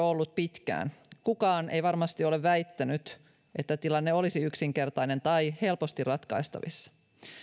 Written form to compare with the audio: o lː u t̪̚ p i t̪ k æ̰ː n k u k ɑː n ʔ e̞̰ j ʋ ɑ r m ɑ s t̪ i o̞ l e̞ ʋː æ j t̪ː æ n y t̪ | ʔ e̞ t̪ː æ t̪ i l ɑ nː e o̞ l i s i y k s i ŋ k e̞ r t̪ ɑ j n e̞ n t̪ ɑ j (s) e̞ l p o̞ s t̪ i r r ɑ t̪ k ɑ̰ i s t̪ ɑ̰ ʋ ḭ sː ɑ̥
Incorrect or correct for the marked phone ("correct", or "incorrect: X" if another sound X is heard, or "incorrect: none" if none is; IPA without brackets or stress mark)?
incorrect: h